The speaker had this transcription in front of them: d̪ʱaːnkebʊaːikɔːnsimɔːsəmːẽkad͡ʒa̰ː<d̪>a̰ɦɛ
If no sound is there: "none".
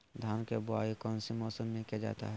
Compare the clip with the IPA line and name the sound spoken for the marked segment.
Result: t̪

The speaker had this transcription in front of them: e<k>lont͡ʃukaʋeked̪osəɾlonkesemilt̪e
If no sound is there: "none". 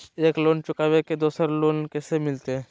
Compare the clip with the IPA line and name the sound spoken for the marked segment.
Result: k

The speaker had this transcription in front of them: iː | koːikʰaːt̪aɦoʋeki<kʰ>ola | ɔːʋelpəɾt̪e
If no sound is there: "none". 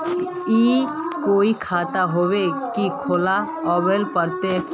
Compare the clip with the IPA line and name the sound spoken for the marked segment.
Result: kʰ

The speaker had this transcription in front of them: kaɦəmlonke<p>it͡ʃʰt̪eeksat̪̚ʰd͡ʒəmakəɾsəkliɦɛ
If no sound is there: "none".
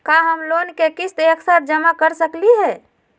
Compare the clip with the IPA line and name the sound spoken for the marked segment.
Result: k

